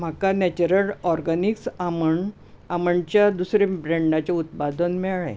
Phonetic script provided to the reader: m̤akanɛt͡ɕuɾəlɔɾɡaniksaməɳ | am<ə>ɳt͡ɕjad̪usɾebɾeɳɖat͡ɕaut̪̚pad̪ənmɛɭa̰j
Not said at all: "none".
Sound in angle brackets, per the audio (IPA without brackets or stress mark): ə